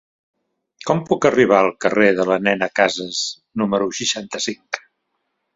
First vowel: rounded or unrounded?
rounded